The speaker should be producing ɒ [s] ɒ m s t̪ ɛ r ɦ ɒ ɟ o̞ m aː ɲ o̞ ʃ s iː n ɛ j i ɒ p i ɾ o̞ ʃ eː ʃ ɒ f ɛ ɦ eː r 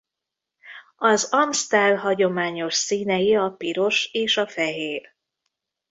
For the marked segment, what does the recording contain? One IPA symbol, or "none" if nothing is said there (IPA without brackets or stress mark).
z